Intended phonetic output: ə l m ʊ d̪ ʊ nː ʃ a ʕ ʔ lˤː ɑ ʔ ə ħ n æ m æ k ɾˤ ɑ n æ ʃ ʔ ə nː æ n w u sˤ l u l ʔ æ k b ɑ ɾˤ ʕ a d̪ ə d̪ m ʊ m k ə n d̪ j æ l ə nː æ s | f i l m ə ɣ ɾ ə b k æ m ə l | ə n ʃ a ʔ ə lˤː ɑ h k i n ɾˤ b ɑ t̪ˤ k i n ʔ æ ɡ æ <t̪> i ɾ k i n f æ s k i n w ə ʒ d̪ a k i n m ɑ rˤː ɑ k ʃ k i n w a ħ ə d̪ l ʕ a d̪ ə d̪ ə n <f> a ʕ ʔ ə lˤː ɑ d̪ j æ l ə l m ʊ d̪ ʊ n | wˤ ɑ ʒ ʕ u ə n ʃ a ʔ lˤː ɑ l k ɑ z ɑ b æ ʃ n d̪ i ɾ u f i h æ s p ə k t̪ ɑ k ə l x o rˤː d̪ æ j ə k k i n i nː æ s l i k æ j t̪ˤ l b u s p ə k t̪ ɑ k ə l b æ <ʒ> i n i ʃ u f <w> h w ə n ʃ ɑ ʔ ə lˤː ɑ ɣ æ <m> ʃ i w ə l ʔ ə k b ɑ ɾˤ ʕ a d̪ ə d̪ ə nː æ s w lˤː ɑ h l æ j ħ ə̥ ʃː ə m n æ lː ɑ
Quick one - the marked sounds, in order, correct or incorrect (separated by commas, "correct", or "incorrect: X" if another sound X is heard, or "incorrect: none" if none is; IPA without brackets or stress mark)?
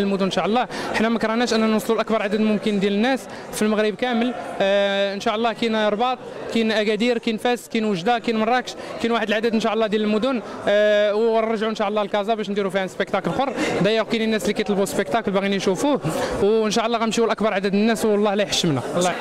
incorrect: d̪, incorrect: ʃ, incorrect: ɣ, incorrect: u, correct